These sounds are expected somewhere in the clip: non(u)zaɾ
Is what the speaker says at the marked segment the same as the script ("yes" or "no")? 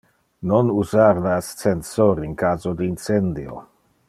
yes